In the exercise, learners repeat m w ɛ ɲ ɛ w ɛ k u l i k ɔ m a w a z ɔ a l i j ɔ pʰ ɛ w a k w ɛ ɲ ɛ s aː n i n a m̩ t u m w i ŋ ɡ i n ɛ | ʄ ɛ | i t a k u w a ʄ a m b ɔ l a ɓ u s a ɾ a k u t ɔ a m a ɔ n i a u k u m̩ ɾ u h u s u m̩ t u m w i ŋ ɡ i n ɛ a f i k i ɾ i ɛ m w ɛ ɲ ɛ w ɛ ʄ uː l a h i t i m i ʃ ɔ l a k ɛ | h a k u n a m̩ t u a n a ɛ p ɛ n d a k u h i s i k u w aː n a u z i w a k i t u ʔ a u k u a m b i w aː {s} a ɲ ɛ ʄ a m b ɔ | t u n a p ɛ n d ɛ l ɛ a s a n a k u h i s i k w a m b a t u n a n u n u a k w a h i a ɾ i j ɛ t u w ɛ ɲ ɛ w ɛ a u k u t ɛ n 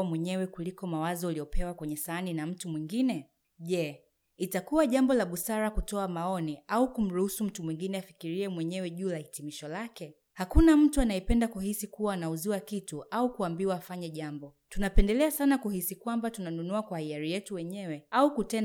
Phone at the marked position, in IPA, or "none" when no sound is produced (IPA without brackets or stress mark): f